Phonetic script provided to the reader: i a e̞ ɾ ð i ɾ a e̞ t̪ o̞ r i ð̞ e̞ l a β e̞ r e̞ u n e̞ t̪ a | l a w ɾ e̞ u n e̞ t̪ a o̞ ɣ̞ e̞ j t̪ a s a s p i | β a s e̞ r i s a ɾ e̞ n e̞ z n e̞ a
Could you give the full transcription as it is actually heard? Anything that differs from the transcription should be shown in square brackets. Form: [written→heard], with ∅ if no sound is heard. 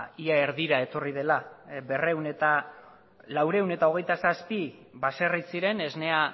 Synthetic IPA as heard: i a e̞ ɾ ð i ɾ a e̞ t̪ o̞ r i ð̞ e̞ l a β e̞ r e̞ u n e̞ t̪ a | l a w ɾ e̞ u n e̞ t̪ a o̞ ɣ̞ e̞ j t̪ a s a s p i | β a s e̞ r i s [a→i] ɾ e̞ n e̞ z n e̞ a